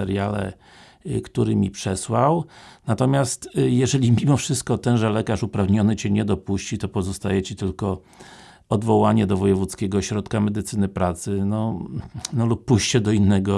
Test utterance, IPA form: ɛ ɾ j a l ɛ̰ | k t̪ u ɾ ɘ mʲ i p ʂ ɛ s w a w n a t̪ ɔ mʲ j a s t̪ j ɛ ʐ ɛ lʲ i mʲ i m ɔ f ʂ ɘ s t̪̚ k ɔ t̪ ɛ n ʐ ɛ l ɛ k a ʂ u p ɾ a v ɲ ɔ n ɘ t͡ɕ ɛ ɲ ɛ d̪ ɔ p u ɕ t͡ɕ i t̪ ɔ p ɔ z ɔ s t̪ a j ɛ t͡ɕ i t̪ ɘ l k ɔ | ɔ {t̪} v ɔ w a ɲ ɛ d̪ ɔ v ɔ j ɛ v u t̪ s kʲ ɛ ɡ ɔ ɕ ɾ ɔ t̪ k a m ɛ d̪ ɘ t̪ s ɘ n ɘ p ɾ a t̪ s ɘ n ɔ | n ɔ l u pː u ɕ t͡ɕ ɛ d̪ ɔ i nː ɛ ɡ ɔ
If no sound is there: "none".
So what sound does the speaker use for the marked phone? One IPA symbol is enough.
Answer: d̪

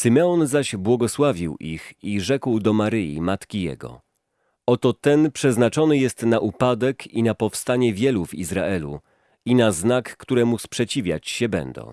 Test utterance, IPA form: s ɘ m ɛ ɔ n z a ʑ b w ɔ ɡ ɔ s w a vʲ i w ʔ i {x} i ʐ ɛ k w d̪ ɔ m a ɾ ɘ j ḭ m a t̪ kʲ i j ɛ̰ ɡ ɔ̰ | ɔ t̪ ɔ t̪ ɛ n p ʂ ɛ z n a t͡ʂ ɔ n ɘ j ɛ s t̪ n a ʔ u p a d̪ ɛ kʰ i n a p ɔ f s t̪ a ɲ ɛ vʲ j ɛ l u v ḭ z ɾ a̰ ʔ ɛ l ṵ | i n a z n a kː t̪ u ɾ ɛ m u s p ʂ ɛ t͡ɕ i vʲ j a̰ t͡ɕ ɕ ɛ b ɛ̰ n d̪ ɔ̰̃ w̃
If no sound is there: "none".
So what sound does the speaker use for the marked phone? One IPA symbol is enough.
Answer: x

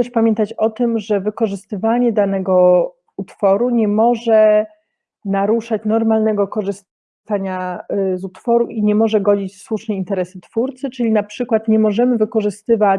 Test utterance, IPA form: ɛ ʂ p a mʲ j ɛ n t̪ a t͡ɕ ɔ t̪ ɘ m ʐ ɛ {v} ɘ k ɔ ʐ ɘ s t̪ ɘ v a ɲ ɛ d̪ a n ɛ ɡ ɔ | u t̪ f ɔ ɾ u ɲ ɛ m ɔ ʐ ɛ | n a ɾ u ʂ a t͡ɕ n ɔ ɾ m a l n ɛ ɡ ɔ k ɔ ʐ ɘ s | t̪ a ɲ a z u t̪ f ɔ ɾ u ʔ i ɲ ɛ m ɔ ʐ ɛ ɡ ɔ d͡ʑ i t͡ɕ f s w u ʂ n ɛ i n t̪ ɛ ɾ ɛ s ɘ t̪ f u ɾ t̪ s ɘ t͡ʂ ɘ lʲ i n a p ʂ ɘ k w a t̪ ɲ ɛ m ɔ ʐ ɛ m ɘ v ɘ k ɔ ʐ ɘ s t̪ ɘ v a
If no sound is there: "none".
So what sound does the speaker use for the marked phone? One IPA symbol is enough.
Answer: v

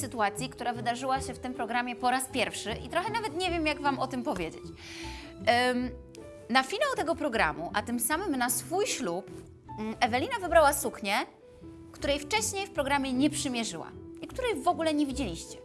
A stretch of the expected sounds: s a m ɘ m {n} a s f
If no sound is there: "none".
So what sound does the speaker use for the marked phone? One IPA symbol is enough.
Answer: n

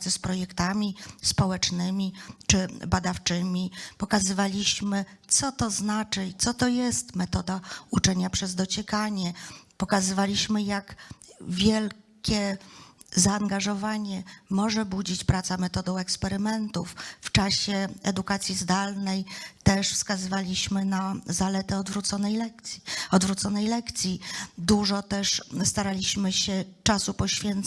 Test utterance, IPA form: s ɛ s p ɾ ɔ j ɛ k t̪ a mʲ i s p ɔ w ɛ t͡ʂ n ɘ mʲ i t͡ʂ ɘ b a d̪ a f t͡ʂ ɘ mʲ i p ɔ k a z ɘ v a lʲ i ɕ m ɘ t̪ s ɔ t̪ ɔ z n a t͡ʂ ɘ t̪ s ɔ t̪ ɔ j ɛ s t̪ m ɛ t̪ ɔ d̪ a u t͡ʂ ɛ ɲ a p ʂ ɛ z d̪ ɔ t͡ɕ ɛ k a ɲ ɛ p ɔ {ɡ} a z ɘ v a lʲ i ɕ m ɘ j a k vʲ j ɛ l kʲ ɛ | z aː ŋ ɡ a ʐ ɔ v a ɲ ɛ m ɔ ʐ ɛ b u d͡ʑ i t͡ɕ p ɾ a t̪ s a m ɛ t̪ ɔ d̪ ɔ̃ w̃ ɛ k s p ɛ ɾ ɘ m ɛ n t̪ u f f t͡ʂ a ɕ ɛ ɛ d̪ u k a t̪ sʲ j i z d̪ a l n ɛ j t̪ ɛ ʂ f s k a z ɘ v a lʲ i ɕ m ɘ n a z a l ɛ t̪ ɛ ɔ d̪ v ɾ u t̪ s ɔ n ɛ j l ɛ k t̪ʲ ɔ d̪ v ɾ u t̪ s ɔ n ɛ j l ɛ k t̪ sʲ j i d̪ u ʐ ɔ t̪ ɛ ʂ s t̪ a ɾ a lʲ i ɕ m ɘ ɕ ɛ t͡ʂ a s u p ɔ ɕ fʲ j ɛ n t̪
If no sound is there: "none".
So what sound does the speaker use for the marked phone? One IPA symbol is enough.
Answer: k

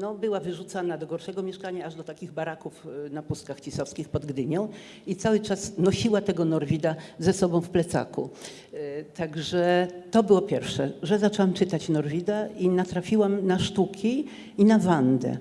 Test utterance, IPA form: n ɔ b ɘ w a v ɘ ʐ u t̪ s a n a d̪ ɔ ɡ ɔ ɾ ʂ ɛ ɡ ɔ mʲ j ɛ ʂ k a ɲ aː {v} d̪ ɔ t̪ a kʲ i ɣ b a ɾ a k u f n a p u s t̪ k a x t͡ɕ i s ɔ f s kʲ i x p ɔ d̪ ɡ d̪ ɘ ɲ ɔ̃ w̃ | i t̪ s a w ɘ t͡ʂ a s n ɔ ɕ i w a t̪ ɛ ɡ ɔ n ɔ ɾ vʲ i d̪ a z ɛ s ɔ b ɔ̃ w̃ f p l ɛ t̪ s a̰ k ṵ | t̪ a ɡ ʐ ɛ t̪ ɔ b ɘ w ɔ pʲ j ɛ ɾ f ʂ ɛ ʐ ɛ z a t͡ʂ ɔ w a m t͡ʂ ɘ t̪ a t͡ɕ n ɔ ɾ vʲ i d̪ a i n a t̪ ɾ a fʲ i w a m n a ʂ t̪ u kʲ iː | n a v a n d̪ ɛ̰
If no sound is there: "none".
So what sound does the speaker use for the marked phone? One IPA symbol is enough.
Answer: ʐ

